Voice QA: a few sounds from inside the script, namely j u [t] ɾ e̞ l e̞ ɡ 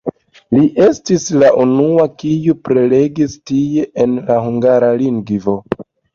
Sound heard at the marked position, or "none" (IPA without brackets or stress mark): p